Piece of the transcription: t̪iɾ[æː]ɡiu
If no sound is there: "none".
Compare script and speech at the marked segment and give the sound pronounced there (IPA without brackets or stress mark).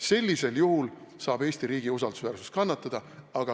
iː